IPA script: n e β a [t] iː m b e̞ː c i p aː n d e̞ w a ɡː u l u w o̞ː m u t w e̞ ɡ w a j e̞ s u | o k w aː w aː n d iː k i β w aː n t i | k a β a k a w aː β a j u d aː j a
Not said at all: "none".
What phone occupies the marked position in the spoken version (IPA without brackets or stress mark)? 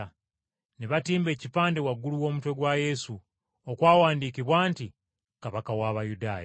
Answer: t